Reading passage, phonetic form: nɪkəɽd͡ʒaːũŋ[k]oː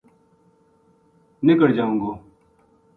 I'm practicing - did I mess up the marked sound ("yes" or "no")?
yes